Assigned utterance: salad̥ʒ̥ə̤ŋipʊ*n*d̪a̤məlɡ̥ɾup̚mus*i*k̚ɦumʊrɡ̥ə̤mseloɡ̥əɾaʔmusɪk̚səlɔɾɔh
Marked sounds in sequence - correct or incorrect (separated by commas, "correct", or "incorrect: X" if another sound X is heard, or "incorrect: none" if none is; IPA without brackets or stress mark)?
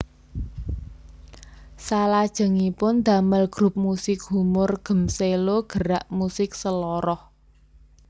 correct, incorrect: ɪ